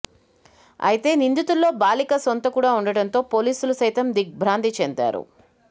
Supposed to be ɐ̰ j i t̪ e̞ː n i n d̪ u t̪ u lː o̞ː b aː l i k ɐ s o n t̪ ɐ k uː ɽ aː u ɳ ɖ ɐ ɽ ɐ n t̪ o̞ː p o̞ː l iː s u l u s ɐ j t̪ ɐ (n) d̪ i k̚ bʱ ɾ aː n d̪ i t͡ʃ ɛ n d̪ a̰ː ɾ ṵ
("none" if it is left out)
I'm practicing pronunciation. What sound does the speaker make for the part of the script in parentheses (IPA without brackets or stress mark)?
m